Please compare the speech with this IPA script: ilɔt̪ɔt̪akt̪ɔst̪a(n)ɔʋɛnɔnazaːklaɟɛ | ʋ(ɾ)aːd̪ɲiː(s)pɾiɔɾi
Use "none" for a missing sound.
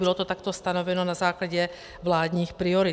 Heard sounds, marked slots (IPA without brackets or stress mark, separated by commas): n, l, x